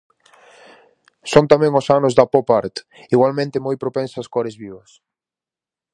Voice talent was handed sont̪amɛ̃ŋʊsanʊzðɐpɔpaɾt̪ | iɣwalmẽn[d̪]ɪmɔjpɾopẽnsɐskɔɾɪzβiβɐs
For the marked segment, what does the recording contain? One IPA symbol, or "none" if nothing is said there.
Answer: t̪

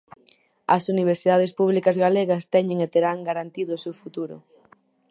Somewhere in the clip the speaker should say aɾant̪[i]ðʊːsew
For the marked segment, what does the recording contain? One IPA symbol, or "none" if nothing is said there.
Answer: i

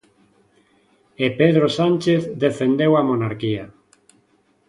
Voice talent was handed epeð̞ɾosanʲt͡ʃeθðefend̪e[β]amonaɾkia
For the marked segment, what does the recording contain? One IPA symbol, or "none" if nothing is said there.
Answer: w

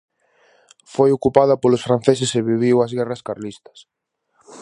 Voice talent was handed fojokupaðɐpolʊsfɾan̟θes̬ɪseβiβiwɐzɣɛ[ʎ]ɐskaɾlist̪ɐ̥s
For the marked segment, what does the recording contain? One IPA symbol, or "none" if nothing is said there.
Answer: r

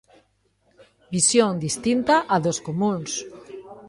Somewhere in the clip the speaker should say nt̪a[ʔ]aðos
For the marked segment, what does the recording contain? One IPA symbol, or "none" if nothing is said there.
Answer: ʔ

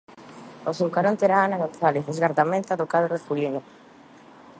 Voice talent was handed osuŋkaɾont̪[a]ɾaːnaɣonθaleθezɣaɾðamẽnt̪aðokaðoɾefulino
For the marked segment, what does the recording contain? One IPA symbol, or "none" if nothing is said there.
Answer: e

